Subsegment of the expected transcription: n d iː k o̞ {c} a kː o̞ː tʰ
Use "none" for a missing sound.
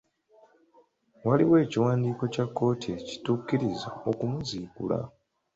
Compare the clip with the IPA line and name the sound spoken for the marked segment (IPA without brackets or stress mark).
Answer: c